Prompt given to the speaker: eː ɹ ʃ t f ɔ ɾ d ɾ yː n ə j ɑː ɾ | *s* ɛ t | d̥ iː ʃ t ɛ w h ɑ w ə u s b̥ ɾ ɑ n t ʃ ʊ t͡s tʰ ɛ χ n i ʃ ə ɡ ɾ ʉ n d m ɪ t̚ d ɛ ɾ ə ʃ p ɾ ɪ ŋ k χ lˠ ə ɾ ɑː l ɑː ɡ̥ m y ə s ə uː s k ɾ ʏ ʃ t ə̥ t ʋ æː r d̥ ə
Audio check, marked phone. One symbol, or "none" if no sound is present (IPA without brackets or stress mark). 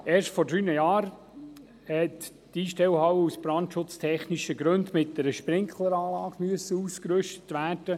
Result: h